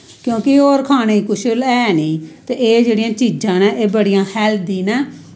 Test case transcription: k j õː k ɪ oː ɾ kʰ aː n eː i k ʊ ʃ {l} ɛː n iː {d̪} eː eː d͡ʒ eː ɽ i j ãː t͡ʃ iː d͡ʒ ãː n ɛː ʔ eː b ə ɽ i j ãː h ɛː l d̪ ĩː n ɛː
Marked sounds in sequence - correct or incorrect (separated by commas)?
correct, incorrect